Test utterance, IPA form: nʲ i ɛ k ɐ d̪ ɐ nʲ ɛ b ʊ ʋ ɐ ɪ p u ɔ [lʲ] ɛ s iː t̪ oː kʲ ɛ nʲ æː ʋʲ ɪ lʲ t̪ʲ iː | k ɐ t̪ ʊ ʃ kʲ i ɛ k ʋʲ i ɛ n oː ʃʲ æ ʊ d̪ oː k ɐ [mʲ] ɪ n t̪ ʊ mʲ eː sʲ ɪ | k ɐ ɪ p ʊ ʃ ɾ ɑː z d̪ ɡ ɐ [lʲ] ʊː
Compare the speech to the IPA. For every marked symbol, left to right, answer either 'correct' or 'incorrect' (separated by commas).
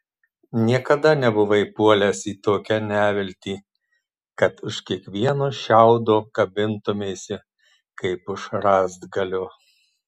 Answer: correct, incorrect, correct